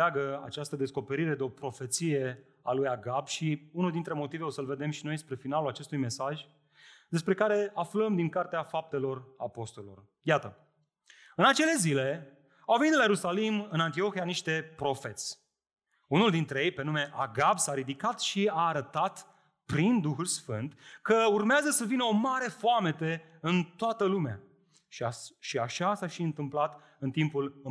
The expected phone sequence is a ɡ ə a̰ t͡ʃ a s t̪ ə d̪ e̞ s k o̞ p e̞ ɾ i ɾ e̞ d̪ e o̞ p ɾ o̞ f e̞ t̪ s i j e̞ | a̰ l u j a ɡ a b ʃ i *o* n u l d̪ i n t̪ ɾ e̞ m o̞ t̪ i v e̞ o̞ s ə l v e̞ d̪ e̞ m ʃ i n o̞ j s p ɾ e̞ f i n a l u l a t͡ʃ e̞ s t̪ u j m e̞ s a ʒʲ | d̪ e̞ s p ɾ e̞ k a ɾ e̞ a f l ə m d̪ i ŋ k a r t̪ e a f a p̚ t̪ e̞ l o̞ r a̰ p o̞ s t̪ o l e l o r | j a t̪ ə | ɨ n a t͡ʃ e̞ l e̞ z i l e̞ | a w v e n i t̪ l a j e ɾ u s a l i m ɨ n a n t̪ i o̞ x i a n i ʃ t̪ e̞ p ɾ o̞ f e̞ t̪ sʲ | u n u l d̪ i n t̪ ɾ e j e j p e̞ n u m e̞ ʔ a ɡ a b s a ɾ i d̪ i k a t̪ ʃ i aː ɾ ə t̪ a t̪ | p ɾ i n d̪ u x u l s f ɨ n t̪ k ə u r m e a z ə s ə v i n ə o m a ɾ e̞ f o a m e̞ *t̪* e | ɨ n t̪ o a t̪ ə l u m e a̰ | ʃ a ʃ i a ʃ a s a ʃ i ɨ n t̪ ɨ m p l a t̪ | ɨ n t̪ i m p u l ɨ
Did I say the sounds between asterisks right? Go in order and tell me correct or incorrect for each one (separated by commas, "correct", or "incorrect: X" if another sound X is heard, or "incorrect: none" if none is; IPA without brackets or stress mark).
incorrect: u, correct